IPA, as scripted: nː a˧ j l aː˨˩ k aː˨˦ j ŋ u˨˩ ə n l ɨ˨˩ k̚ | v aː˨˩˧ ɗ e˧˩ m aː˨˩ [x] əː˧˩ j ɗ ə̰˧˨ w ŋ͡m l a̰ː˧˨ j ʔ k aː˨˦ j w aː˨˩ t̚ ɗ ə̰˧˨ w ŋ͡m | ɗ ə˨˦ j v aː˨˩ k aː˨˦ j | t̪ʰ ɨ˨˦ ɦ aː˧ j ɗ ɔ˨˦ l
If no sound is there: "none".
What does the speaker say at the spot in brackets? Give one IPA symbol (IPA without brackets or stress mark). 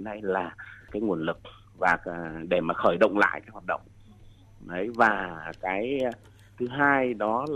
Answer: x